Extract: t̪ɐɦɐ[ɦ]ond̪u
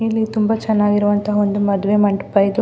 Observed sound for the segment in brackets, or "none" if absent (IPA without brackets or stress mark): none